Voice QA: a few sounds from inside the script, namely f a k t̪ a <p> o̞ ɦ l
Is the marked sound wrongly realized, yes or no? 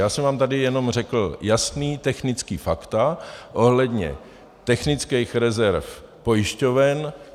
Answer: yes